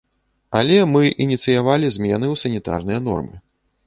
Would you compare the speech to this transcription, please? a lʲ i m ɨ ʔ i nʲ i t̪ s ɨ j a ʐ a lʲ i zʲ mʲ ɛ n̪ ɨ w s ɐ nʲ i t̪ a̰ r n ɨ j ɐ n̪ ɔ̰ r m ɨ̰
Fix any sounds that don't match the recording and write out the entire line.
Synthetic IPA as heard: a lʲ ɛ m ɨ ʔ i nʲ i t̪ s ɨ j a v a lʲ i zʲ mʲ ɛ n̪ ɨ w s ɐ nʲ i t̪ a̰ r n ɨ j ɐ n̪ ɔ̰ r m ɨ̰

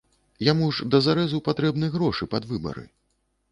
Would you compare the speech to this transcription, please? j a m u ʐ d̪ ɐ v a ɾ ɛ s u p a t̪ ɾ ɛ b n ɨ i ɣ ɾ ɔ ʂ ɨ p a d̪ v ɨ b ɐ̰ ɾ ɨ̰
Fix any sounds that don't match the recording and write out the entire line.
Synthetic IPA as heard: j a m u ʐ d̪ ɐ z a ɾ ɛ z u p a t̪ ɾ ɛ b n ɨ j ɣ ɾ ɔ ʂ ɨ p a d̪ v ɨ b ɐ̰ ɾ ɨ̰

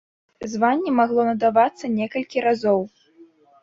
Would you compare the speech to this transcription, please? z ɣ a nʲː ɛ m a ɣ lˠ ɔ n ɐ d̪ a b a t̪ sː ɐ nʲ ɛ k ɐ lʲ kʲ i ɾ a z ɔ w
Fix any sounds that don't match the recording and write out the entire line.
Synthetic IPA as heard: z v a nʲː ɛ m a ɣ lˠ ɔ n ɐ d̪ a v a t̪ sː ɐ nʲ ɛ k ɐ lʲ kʲ i ɾ a z ɔ w

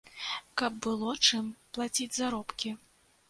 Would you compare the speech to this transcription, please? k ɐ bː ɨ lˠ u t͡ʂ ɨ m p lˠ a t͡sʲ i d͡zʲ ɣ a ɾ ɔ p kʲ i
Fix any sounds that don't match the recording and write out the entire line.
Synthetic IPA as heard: k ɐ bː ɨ lˠ ɔ t͡ʂ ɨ m p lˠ a t͡sʲ i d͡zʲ z a ɾ ɔ p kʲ i

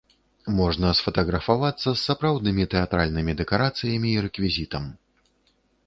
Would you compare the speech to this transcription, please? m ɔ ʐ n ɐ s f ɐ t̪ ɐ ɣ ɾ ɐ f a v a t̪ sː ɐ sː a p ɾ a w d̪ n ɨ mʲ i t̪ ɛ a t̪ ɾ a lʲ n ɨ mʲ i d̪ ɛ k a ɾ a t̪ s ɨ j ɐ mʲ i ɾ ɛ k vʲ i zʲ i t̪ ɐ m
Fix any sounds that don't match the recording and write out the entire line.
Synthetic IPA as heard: m ɔ ʐ n ɐ s f ɐ t̪ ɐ ɣ ɾ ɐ f a v a t̪ sː ɐ sː a p ɾ a w d̪ n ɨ mʲ i t̪ ɛ a t̪ ɾ a lʲ n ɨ mʲ i d̪ ɛ k a ɾ a t̪ s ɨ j ɐ mʲ iː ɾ ɛ k vʲ i zʲ i t̪ ɐ m

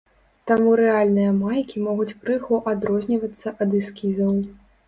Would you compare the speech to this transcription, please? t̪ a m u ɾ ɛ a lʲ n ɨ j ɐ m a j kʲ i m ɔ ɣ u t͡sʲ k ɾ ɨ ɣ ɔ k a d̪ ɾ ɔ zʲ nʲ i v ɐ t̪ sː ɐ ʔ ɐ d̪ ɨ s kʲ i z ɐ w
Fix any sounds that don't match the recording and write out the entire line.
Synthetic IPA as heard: t̪ a m u ɾ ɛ a lʲ n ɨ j ɐ m a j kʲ i m ɔ ɣ u t͡sʲ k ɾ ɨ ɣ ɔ ʔ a d̪ ɾ ɔ zʲ nʲ i v ɐ t̪ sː ɐ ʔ ɐ d̪ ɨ s kʲ i z ɐ w

